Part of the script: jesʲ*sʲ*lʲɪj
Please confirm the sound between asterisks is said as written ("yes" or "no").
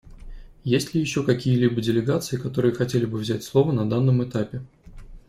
no